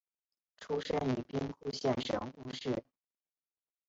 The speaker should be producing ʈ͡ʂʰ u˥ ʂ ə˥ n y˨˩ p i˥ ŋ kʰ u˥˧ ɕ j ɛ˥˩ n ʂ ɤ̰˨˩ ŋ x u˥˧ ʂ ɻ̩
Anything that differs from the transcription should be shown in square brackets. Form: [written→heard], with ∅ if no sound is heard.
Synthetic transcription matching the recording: ʈ͡ʂʰ u˥ ʂ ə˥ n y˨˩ p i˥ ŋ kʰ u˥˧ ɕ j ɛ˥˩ n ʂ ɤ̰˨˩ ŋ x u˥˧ ʂ ɻ̩

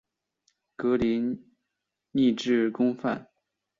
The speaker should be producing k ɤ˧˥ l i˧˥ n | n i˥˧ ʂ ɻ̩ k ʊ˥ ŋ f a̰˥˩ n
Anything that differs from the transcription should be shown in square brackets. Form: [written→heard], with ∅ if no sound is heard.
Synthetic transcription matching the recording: k ɤ˧˥ l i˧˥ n | n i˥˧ [ʂ→ʈ͡ʂ] ɻ̩ k ʊ˥ ŋ f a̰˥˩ n

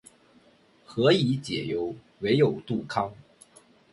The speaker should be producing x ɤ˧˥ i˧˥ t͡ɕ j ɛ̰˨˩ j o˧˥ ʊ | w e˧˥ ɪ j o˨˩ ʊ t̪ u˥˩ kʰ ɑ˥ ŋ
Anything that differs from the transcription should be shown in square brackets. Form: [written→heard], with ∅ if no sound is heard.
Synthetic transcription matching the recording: x ɤ˧˥ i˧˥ t͡ɕ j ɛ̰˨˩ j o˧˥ ʊ | w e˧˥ ɪ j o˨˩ ʊ t̪ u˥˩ kʰ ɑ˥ ŋ

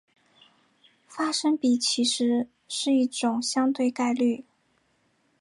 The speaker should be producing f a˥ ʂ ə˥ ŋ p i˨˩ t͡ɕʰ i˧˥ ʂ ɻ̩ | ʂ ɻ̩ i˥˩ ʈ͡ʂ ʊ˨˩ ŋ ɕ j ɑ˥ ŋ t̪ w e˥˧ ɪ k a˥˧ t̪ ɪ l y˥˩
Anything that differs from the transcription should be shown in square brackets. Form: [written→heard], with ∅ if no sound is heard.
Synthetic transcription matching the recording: f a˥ ʂ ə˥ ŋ p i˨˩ t͡ɕʰ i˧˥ ʂ ɻ̩ | ʂ ɻ̩ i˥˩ ʈ͡ʂ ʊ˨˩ ŋ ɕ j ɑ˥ ŋ t̪ w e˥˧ ɪ k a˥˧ [t̪→∅] ɪ l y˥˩

